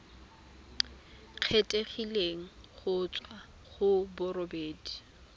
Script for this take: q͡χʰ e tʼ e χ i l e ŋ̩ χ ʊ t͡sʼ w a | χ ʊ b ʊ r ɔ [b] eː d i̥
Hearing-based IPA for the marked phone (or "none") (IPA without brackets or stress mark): b